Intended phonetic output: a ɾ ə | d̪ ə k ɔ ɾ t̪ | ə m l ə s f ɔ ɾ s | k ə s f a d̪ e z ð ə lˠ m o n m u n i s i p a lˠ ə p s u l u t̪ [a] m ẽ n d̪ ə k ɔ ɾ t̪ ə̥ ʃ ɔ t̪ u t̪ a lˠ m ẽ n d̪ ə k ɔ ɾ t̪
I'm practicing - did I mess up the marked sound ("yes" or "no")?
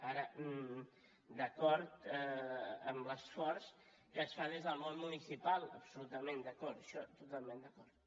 yes